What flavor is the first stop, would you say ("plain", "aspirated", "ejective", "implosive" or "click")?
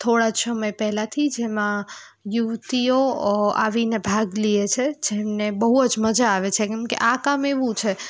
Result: aspirated